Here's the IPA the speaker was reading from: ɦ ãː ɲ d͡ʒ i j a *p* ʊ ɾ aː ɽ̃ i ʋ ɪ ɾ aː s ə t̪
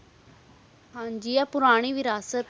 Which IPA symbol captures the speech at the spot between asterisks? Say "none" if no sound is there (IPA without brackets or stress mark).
p